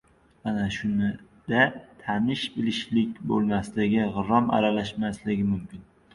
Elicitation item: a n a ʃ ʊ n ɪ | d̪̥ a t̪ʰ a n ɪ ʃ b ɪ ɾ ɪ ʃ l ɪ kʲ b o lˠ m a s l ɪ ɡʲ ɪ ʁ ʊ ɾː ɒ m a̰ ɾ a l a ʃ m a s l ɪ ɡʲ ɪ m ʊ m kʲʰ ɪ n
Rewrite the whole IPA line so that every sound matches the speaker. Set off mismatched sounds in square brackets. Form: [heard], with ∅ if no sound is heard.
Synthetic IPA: a n a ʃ ʊ n ɪ | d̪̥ a t̪ʰ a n ɪ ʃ b ɪ [l] ɪ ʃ l ɪ kʲ b o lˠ m a s l ɪ ɡʲ ɪ ʁ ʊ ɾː ɒ m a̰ ɾ a l a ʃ m a s l ɪ ɡʲ ɪ m ʊ m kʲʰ ɪ n